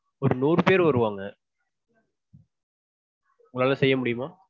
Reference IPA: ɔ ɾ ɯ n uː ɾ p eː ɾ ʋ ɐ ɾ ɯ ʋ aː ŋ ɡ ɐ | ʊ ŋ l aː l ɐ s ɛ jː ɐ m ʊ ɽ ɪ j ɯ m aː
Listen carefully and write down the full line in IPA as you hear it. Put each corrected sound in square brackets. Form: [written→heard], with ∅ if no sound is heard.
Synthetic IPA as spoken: ɔ ɾ ɯ n uː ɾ p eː ɾ ʋ ɐ ɾ ɯ ʋ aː ŋ ɡ ɐ | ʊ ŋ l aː l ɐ s ɛ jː ɐ m ʊ ɽ ɪ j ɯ m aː

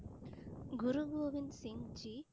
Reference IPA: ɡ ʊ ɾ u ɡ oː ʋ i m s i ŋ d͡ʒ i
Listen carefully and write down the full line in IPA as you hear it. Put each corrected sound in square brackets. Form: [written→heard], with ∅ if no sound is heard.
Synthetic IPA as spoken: ɡ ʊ ɾ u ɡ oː ʋ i [m→n] s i ŋ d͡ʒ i

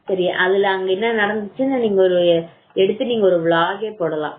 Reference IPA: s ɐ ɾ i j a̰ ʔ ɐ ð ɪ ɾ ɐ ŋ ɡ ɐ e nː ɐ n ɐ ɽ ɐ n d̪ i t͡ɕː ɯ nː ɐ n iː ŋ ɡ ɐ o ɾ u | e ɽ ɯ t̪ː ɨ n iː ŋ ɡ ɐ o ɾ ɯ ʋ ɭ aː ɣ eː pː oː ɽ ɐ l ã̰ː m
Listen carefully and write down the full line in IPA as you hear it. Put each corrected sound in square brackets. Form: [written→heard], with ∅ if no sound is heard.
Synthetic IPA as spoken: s ɐ ɾ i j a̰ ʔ ɐ ð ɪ [ɾ→l] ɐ ŋ ɡ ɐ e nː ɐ n ɐ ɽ ɐ n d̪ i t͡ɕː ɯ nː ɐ n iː ŋ ɡ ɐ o ɾ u | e ɽ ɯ t̪ː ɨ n iː ŋ ɡ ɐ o ɾ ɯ ʋ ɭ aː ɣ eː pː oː ɽ ɐ l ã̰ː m

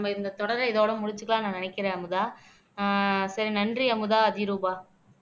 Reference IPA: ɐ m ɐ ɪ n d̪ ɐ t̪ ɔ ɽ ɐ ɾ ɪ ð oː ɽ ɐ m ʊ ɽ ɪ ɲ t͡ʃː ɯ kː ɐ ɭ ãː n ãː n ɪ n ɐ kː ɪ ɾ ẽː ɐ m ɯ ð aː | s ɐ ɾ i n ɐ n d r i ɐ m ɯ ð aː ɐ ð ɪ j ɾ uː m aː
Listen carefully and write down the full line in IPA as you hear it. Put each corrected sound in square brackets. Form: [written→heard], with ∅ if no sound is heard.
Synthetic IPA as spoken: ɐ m ɐ ɪ n d̪ ɐ t̪ ɔ ɽ ɐ ɾ ɪ ð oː ɽ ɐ m ʊ ɽ ɪ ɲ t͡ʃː ɯ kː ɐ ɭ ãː n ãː n ɪ n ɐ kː ɪ ɾ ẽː ɐ m ɯ ð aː | s ɐ ɾ i n ɐ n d r i ɐ m ɯ ð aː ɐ ð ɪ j ɾ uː [m→b] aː

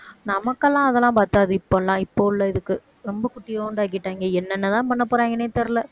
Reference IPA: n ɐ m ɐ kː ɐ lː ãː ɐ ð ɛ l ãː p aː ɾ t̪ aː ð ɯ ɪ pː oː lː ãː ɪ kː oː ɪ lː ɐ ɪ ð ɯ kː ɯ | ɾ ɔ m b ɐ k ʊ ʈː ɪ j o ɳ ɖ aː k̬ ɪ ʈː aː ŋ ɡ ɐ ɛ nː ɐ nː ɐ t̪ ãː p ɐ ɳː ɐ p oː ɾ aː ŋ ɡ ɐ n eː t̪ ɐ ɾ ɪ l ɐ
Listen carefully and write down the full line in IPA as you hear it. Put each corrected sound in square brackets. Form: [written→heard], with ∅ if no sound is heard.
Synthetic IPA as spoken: n ɐ m ɐ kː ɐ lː ãː ɐ ð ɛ l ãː p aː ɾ t̪ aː ð ɯ ɪ pː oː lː ãː ɪ [kː→pː] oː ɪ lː ɐ ɪ ð ɯ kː ɯ | ɾ ɔ m b ɐ k ʊ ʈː ɪ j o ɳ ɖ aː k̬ ɪ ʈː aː ŋ ɡ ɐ ɛ nː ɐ nː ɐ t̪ ãː p ɐ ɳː ɐ p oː ɾ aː ŋ ɡ ɐ n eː t̪ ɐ ɾ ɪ l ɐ

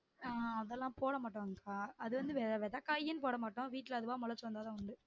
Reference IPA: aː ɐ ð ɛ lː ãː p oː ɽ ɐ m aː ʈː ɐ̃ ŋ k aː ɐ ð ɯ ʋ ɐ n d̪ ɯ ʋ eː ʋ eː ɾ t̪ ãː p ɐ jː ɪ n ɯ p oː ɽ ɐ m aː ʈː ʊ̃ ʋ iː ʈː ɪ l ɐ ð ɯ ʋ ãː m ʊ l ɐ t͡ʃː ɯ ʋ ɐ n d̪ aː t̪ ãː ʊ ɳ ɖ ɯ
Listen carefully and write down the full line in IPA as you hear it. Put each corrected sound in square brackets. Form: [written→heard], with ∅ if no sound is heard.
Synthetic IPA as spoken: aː ɐ ð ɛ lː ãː p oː ɽ ɐ m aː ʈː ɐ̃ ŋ k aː ɐ ð ɯ ʋ ɐ n d̪ ɯ ʋ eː ʋ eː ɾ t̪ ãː [p→k] ɐ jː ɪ n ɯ p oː ɽ ɐ m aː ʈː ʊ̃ ʋ iː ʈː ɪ l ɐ ð ɯ ʋ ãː m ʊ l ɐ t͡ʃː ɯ ʋ ɐ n d̪ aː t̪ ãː ʊ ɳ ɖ ɯ

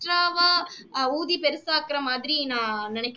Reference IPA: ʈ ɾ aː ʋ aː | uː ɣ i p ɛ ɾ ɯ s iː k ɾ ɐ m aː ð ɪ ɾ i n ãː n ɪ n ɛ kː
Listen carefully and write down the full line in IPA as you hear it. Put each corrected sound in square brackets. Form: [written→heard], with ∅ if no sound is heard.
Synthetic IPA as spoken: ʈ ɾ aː ʋ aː | uː [ɣ→ð] i p ɛ ɾ ɯ s [iː→aː] k ɾ ɐ m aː ð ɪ ɾ i n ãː n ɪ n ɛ kː

